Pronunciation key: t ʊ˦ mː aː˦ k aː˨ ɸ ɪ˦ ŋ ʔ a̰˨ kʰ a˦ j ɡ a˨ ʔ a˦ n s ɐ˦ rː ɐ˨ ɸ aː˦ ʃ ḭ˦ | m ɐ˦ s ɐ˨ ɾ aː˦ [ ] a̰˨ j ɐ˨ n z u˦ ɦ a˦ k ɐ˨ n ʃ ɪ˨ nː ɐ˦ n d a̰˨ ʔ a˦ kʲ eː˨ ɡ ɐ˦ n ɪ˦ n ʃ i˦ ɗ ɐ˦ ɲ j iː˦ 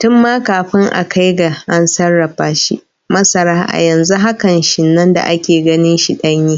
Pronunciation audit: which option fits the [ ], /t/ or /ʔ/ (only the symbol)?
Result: ʔ